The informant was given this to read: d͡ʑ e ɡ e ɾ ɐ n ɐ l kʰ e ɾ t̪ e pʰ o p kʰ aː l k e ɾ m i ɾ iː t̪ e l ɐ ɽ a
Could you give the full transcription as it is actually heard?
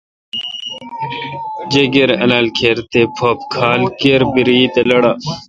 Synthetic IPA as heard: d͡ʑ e ɡ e ɾ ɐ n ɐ l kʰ e ɾ t̪ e pʰ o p kʰ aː l k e ɾ b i ɾ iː t̪ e l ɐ ɽ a